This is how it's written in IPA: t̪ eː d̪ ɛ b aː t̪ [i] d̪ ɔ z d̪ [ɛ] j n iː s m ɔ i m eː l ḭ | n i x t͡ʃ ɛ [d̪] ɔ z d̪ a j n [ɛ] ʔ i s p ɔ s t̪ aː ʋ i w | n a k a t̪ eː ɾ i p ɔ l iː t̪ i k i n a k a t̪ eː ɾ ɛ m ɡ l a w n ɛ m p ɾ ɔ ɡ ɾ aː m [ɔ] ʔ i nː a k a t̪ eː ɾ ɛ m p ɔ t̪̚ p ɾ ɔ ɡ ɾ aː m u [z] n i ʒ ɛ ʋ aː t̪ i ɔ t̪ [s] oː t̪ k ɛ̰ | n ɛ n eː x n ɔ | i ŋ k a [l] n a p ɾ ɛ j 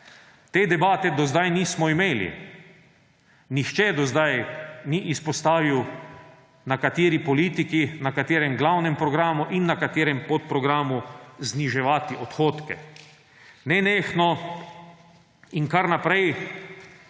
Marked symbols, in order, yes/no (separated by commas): no, no, yes, no, no, yes, no, no